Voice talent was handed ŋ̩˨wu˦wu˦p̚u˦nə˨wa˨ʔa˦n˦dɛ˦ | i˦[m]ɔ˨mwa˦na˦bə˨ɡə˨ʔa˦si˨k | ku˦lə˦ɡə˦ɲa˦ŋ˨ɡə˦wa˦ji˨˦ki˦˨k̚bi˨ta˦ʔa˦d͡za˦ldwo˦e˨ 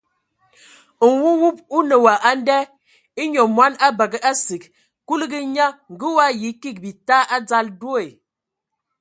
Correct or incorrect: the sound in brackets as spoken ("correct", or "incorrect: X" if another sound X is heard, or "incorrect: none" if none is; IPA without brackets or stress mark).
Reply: incorrect: ɲ